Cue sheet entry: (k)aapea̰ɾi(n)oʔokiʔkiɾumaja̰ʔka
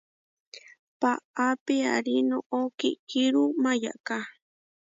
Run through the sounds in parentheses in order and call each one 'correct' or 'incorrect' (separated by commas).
incorrect, correct